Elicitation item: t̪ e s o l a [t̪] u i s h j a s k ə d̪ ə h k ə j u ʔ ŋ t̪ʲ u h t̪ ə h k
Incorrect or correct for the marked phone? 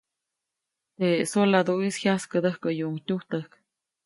incorrect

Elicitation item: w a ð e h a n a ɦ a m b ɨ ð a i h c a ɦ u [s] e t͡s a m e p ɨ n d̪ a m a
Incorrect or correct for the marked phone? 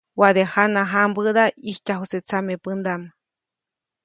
correct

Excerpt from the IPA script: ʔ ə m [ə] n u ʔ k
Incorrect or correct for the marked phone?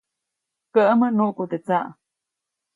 correct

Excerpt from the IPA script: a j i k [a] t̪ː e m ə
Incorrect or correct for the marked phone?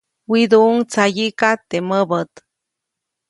correct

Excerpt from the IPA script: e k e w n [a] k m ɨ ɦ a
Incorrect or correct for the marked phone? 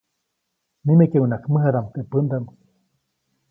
correct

